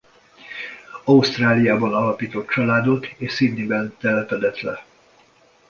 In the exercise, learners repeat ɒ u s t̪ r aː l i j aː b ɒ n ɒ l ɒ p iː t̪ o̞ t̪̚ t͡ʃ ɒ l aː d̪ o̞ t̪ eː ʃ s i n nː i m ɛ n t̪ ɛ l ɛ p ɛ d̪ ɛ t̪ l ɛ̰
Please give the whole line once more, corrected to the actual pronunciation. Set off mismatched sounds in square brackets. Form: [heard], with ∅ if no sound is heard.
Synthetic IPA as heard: ɒ u s t̪ r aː l i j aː b ɒ n ɒ l ɒ p iː t̪ o̞ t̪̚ t͡ʃ ɒ l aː d̪ o̞ t̪ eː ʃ s i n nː i [b] ɛ n t̪ ɛ l ɛ p ɛ d̪ ɛ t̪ l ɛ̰